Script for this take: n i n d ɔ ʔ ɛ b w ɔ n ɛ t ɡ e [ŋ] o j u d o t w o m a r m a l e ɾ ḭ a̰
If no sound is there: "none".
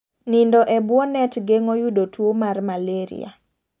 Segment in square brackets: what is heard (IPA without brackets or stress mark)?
ŋ